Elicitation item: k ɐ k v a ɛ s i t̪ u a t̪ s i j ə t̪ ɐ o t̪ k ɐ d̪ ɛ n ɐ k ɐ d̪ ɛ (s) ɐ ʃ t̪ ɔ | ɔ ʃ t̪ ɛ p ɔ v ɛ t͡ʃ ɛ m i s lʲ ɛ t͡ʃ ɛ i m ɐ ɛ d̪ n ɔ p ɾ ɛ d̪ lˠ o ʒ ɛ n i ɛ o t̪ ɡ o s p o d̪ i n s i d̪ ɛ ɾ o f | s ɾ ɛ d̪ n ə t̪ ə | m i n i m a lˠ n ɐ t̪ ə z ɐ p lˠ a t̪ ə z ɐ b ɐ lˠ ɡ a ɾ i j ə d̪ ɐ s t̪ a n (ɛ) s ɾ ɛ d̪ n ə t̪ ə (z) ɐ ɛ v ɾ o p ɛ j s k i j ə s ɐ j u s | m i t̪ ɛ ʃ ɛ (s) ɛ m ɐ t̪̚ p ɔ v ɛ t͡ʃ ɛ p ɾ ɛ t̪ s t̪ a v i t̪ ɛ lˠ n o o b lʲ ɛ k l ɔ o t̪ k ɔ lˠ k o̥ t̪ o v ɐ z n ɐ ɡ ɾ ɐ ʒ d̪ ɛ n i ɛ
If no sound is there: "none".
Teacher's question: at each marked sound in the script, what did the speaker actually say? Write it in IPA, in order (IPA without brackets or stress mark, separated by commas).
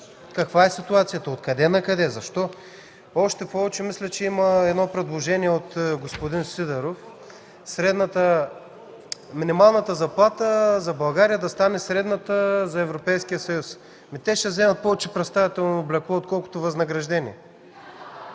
z, ɛ, z, z